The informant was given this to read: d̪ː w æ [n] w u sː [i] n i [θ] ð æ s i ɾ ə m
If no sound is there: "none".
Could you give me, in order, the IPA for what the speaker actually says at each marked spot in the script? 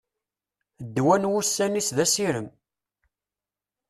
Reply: n, æ, s

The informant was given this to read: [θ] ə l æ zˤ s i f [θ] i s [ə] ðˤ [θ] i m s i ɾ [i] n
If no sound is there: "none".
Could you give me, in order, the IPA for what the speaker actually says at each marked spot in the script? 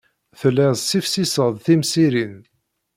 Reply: θ, s, ə, θ, i

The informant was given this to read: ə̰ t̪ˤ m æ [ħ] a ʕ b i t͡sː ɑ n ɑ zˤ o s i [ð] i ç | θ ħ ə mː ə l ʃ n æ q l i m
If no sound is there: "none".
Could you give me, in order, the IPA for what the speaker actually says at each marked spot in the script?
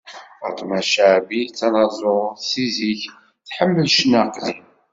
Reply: ʃ, z

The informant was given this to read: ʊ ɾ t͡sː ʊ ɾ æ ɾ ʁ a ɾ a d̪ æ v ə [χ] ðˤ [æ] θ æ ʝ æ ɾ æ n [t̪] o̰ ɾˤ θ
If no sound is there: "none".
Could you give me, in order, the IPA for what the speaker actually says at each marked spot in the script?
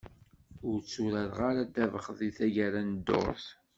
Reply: χ, i, d̪

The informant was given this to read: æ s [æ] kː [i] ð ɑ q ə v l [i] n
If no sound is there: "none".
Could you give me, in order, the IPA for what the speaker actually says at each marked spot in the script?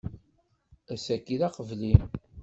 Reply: æ, i, i

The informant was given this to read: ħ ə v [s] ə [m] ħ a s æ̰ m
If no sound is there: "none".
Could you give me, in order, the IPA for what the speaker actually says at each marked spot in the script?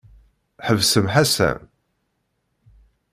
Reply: s, m

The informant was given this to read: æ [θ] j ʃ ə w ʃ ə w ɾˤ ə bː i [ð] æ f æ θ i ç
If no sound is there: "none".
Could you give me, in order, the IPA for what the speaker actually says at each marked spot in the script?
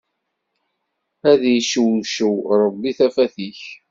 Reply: ð, θ

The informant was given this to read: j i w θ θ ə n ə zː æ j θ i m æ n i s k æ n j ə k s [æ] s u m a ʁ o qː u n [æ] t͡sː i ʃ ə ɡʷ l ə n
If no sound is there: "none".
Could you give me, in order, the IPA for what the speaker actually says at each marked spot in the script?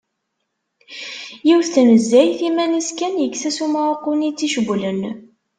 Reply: æ, i

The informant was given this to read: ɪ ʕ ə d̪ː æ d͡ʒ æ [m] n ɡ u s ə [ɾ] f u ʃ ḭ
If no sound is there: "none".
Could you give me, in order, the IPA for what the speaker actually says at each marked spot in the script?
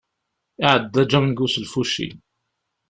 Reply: m, l

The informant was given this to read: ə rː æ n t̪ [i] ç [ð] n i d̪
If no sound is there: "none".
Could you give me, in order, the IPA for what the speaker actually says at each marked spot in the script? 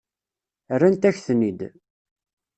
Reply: æ, θ

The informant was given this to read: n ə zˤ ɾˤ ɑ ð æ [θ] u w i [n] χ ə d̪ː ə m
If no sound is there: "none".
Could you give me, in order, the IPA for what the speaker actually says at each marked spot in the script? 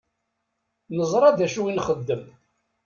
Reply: ʃ, n

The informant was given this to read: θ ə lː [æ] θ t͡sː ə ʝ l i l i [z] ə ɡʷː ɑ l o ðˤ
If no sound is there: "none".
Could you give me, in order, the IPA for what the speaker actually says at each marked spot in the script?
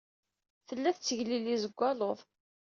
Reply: æ, z

